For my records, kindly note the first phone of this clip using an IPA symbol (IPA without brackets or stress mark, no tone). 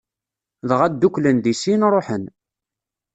ð